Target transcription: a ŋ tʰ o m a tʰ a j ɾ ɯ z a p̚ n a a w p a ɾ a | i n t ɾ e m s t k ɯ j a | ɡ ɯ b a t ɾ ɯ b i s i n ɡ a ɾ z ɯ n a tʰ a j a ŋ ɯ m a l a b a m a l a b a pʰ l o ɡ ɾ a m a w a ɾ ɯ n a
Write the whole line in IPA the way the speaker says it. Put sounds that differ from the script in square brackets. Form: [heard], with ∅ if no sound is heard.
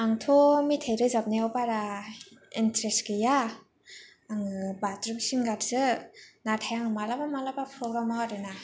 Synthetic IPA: a ŋ tʰ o m [i] tʰ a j ɾ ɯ z a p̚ n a a w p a ɾ a | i n t ɾ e [∅] s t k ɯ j a | [ŋ] ɯ b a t ɾ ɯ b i s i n ɡ a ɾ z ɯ n a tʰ a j a ŋ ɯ m a l a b a m a l a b a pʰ [ɾ] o ɡ ɾ a m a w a ɾ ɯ n a